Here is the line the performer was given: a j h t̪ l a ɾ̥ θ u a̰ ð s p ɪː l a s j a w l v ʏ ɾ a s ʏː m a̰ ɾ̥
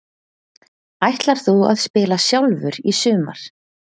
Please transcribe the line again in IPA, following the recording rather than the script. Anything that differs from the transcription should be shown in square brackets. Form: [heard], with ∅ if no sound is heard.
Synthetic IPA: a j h t̪ l a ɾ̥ θ u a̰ ð s p ɪː l a s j a w l v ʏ ɾ [i] s ʏː m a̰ ɾ̥